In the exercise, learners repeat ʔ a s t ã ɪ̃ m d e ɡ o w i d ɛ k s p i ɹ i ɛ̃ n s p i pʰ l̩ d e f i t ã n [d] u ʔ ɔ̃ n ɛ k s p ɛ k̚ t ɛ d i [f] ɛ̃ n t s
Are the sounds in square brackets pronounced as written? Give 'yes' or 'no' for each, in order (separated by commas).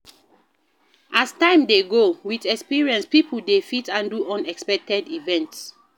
yes, no